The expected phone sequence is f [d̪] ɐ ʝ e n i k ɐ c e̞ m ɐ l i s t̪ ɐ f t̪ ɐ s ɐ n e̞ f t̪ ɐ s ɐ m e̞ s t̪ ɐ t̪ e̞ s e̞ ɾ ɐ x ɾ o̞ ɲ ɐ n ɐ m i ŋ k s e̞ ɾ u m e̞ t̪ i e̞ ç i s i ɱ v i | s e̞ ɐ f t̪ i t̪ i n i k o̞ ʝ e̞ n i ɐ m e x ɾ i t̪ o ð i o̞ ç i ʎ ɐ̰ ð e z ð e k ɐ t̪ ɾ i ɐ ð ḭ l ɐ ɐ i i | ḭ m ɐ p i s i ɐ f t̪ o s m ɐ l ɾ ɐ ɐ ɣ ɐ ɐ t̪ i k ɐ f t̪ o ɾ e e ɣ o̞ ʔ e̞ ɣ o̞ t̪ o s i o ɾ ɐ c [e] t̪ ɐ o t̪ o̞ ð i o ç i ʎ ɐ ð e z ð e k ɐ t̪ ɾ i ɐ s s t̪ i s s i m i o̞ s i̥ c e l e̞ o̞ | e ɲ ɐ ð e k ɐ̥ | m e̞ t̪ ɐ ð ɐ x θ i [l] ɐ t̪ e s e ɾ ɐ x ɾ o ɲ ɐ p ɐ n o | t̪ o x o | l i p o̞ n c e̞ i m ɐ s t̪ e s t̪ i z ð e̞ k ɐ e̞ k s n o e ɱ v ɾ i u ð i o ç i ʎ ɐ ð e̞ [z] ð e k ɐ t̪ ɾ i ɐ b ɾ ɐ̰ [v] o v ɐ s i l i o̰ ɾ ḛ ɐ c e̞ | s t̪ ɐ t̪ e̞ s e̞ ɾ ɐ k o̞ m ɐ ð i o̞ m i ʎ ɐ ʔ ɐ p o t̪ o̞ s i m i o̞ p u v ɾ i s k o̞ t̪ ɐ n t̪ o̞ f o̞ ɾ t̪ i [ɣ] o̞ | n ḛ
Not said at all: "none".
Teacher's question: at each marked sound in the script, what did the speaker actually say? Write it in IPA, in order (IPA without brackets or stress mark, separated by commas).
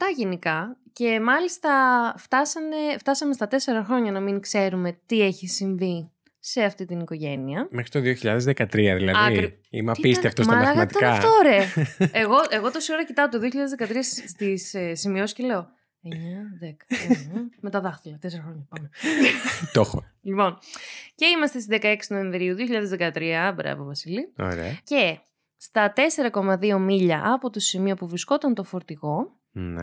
t̪, i, l, z, v, ɣ